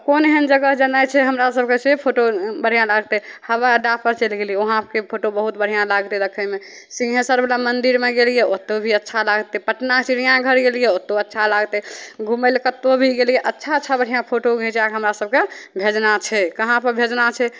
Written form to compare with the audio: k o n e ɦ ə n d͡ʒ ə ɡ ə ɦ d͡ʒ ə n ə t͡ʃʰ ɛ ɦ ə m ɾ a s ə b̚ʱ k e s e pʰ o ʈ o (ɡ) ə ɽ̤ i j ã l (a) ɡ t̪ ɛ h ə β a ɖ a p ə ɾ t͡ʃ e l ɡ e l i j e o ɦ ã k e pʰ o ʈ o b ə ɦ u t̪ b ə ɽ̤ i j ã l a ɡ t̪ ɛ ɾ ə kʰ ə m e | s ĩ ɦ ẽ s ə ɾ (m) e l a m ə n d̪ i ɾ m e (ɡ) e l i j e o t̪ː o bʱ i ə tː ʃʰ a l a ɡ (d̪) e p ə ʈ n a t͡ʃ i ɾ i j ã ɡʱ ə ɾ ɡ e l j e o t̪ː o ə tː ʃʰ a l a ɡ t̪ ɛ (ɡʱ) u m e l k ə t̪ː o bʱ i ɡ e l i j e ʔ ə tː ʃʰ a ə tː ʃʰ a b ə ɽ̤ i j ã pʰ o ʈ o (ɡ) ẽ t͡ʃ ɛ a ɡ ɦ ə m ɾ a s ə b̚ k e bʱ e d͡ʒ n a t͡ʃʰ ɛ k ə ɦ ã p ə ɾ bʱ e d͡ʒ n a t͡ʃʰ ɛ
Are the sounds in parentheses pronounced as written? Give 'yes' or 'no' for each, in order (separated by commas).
no, yes, no, yes, no, yes, yes